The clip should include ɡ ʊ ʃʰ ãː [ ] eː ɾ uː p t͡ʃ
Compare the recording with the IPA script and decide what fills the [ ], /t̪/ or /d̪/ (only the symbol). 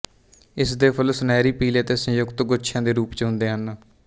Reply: d̪